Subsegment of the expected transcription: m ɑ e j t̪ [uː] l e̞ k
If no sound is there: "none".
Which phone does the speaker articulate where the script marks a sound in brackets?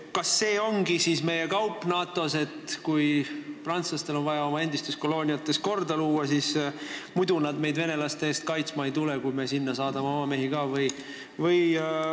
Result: u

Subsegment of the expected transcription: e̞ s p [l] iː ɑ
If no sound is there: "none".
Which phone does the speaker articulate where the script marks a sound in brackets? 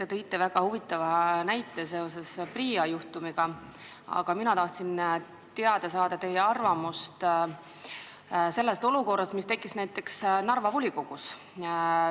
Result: r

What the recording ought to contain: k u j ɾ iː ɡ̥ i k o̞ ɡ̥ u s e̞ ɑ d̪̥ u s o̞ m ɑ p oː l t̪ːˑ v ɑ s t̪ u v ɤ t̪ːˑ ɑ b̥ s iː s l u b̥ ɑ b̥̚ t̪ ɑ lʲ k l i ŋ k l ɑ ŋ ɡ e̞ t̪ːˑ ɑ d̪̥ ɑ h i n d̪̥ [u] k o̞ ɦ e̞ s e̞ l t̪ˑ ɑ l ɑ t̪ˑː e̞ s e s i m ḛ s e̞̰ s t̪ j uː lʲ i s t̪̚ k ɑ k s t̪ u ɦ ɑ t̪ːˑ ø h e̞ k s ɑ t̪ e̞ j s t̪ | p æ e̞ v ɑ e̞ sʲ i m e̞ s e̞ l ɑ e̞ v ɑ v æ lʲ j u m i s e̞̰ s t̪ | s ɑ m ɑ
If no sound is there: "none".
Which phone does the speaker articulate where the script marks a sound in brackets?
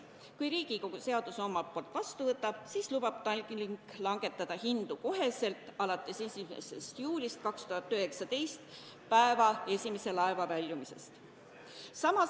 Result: u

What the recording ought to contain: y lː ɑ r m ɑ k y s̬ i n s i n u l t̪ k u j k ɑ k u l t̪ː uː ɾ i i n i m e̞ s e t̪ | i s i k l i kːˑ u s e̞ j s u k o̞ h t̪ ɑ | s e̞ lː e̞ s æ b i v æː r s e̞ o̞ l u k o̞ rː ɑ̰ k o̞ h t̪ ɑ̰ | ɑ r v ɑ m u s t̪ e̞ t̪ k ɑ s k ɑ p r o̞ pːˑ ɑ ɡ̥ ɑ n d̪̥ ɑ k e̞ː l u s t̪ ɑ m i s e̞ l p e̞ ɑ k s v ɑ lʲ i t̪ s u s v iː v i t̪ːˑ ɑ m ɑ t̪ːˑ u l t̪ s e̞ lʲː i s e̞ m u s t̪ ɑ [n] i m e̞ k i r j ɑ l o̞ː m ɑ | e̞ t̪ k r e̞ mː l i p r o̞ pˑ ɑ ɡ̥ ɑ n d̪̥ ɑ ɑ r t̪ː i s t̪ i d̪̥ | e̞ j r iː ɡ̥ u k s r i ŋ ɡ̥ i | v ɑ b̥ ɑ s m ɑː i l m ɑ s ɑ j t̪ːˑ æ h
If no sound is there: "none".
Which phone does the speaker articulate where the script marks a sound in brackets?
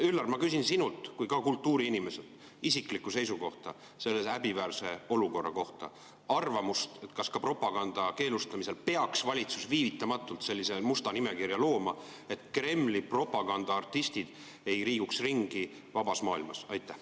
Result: n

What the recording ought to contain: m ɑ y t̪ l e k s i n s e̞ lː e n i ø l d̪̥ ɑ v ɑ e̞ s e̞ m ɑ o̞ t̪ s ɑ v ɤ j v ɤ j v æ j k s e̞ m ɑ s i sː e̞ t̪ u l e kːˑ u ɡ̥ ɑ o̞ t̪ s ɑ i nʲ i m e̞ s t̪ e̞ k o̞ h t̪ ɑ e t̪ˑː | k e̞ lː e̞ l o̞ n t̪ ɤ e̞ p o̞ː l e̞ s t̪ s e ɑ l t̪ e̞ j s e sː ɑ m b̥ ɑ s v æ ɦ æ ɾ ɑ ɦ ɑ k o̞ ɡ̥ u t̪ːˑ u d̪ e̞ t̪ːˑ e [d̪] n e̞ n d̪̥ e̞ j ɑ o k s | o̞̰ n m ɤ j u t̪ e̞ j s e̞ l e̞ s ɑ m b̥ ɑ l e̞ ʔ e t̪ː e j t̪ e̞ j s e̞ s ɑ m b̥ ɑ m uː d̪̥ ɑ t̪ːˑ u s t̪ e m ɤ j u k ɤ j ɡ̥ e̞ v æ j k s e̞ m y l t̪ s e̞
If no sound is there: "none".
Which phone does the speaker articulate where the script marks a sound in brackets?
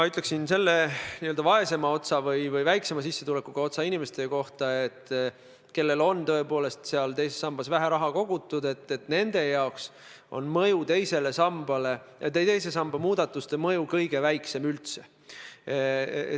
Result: t̪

